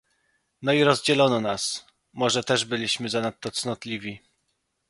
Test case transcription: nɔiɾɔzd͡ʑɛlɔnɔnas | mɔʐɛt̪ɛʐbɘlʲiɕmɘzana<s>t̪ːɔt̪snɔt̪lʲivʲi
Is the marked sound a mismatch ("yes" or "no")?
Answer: yes